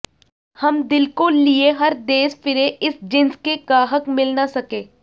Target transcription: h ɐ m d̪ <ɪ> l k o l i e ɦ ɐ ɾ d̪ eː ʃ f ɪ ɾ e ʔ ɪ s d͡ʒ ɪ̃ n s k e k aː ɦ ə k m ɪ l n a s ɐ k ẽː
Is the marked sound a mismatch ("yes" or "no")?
no